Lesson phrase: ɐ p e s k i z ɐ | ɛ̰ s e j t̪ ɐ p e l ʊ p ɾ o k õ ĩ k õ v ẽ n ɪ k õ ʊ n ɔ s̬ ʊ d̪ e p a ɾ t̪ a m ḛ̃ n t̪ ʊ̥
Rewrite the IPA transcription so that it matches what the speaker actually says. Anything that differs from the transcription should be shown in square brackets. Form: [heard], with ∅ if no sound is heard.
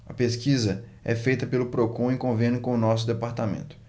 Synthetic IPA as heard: ɐ p e s k i z ɐ | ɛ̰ [f] e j t̪ ɐ p e l ʊ p ɾ o k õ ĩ k õ v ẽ n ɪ k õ ʊ n ɔ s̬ ʊ d̪ e p a ɾ t̪ a m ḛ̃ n t̪ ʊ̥